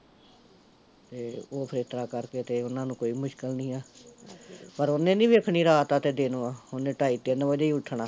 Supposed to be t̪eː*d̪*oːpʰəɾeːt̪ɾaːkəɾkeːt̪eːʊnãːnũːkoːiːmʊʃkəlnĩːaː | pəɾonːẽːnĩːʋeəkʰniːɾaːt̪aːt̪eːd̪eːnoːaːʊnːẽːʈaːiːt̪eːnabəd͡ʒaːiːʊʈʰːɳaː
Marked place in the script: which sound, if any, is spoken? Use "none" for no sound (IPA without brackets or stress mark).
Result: none